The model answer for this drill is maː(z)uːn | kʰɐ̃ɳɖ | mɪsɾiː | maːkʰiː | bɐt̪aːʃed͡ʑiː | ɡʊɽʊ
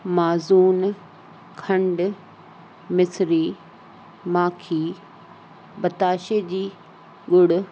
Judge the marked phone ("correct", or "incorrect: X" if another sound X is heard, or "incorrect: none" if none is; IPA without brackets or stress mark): correct